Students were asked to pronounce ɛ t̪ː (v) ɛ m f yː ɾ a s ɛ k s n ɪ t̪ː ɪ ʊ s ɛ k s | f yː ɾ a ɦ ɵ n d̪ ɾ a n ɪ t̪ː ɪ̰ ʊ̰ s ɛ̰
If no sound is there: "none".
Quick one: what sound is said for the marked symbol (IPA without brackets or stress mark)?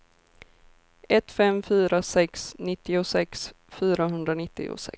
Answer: f